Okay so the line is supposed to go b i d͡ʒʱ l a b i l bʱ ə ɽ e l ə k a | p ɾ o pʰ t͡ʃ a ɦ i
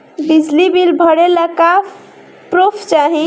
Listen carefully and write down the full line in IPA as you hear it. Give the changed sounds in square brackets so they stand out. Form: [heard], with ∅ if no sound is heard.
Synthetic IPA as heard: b i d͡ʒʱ l [i] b i l bʱ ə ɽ e l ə k a | p ɾ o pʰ t͡ʃ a ɦ i